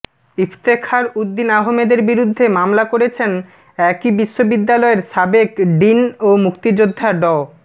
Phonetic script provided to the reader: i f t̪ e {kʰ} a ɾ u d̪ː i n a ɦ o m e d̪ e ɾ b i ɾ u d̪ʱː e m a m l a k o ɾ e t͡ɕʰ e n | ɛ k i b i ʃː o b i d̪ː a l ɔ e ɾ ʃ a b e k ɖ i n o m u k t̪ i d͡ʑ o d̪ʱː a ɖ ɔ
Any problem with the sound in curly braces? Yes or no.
no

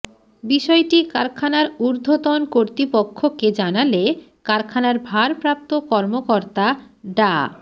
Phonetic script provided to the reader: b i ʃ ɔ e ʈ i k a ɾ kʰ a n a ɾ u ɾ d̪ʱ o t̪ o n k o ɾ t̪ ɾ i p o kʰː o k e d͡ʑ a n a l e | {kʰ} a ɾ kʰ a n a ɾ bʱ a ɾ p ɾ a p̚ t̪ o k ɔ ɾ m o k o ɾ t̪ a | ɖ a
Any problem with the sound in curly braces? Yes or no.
yes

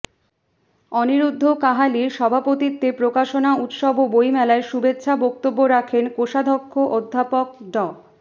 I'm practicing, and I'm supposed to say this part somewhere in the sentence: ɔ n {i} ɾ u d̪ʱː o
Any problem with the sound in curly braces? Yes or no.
no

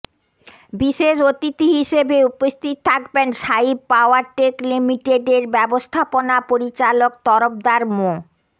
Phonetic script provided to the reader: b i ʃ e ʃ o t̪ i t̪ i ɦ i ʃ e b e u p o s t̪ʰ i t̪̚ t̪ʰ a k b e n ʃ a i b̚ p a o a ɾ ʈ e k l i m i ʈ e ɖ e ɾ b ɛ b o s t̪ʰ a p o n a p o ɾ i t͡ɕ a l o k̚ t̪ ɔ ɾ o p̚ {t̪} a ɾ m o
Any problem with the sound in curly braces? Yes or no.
yes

